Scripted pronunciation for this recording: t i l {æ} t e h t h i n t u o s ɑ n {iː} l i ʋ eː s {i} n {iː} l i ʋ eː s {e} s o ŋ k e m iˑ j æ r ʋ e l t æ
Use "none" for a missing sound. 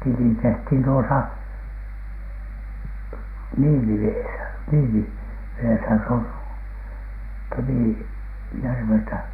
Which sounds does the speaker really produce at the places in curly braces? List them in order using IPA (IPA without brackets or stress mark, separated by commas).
i, iː, æ, iː, æ